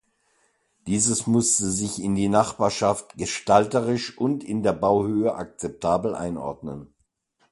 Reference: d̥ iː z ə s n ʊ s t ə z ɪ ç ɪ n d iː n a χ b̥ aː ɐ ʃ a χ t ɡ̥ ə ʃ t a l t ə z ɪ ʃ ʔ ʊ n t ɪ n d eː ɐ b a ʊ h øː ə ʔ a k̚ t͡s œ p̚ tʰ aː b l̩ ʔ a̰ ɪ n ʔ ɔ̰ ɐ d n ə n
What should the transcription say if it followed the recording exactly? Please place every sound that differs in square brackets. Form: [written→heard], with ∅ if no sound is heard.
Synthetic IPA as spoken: d̥ iː z ə s [n→m] ʊ s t ə z ɪ ç ɪ n d iː n a χ b̥ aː ɐ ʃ a [χ→f] t ɡ̥ ə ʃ t a l t ə [z→ʁ] ɪ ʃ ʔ ʊ n t ɪ n d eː ɐ b a ʊ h øː ə ʔ a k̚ t͡s [œ→ɛ] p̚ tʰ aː b l̩ ʔ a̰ ɪ n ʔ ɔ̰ ɐ d n ə n

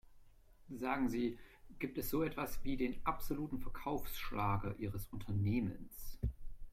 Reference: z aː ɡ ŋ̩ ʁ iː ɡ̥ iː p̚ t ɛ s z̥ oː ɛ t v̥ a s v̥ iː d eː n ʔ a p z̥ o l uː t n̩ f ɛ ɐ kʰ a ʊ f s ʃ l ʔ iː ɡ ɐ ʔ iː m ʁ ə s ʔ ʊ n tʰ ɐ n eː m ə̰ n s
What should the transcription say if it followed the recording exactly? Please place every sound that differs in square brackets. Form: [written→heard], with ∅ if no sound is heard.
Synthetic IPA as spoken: z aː ɡ ŋ̩ [ʁ→z] iː ɡ̥ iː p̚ t ɛ s z̥ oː ɛ t v̥ a s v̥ iː d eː n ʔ a p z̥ o l uː t n̩ f ɛ ɐ kʰ a ʊ f s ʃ l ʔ [iː→aː] ɡ ɐ ʔ iː [m→∅] ʁ ə s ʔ ʊ n tʰ ɐ n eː m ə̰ n s

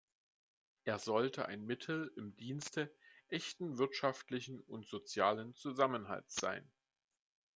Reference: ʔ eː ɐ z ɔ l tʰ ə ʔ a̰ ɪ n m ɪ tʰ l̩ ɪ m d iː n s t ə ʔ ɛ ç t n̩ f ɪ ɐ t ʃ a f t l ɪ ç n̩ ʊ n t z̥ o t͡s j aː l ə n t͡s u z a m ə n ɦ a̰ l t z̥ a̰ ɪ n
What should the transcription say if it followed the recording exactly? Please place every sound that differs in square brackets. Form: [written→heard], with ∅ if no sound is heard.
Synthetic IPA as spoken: ʔ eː ɐ z ɔ l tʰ ə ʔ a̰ ɪ n m ɪ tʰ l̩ ɪ m d iː n s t ə ʔ ɛ ç t n̩ [f→v] ɪ ɐ t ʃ a f t l ɪ ç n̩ ʊ n t z̥ o t͡s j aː l ə n t͡s u z a m ə n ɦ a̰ l t z̥ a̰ ɪ n

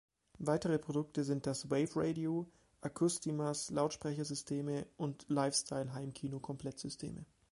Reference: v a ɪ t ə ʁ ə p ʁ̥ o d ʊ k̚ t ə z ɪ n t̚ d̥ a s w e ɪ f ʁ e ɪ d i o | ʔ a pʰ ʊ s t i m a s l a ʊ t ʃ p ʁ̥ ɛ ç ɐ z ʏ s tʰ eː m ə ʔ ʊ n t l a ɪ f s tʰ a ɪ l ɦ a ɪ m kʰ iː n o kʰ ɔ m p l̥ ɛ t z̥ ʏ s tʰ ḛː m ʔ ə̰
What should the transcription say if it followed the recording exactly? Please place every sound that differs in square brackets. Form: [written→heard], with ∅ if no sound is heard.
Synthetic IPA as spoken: v a ɪ t ə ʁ ə p ʁ̥ o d ʊ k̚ t ə z ɪ n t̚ d̥ a s w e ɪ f ʁ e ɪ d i o | ʔ a [pʰ→kʰ] ʊ s t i m a s l a ʊ t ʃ p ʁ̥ ɛ ç ɐ z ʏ s tʰ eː m ə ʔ ʊ n t l a ɪ f s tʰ a ɪ l ɦ a ɪ m kʰ iː n o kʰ ɔ m p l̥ ɛ t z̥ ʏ s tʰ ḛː m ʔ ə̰

